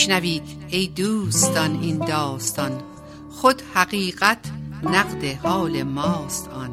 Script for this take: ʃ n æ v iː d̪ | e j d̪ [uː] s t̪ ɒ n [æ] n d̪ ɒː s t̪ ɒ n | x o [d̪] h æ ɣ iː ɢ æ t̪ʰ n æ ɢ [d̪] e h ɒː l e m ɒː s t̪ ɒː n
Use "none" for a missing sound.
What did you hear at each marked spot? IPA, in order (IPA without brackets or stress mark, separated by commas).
uː, i, d̪, d̪